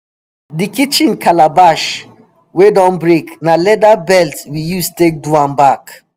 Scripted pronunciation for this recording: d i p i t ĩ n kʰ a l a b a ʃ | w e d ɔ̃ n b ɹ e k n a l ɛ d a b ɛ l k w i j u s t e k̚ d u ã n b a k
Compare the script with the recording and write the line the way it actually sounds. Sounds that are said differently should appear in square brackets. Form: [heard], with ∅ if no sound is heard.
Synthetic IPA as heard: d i [k] i [t͡ʃ] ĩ n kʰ a l a b a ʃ | w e d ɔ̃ n b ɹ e k n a l ɛ d a b ɛ l [t] w i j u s t e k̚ d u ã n b a k